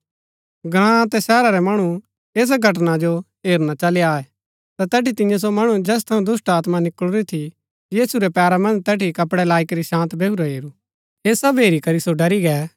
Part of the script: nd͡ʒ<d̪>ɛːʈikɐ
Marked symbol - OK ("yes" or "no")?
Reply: no